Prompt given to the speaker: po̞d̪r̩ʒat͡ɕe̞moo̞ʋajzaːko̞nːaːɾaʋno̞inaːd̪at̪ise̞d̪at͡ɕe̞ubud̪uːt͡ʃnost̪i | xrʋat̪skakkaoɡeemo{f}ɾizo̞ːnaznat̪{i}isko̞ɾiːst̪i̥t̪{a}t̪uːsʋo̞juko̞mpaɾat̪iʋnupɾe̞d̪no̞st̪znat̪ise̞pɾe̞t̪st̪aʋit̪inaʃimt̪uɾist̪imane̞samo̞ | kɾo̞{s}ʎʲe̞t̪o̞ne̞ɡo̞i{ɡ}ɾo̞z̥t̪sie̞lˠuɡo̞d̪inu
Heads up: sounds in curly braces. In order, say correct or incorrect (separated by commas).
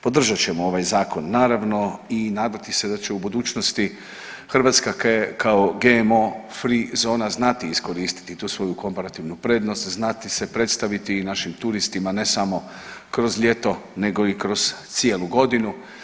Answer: correct, correct, incorrect, incorrect, incorrect